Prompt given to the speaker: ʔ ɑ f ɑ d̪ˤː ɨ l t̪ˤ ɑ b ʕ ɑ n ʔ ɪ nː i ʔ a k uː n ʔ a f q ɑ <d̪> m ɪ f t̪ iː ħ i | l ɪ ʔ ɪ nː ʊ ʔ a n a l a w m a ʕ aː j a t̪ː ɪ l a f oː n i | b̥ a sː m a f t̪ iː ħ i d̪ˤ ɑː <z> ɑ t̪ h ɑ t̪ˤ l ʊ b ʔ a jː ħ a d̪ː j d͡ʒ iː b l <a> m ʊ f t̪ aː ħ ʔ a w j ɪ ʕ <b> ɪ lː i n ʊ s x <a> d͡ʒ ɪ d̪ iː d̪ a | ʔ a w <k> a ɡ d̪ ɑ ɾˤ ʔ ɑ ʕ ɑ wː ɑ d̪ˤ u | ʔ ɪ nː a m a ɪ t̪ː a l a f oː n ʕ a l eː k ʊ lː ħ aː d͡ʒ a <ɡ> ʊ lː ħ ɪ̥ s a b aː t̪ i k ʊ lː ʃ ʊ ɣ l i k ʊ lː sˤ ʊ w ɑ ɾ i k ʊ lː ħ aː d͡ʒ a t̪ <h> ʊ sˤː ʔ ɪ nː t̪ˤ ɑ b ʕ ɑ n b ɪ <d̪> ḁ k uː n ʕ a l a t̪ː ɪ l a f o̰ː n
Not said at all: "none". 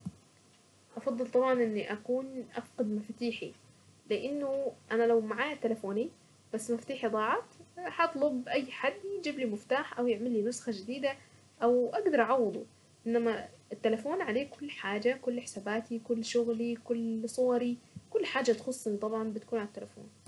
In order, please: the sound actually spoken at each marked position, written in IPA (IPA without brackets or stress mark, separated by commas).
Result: d̪, ʕ, i, m, a, ʔ, k, x, t̪